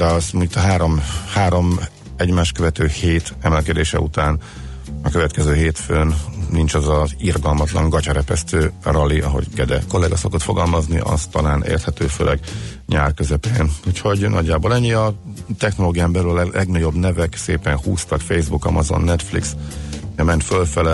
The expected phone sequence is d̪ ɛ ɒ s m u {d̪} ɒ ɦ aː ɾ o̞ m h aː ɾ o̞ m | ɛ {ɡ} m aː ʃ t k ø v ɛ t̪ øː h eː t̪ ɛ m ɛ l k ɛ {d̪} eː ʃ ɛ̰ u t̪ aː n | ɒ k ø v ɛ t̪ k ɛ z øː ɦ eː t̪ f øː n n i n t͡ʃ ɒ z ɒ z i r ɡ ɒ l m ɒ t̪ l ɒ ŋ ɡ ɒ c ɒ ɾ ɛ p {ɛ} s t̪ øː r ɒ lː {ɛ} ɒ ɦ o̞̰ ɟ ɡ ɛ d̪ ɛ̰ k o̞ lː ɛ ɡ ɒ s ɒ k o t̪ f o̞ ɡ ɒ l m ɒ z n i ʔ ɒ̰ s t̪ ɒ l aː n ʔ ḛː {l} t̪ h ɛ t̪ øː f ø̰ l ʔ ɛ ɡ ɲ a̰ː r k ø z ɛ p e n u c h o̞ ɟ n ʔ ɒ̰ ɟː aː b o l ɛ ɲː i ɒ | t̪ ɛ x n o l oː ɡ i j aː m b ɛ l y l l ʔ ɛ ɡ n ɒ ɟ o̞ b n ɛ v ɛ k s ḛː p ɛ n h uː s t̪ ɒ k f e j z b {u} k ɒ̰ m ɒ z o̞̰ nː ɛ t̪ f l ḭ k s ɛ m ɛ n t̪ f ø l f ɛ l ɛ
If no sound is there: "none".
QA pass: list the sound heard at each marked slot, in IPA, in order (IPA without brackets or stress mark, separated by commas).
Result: t̪, ɟ, d̪, ɛ, i, r, u